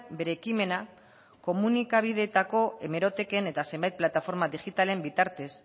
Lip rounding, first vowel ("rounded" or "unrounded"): unrounded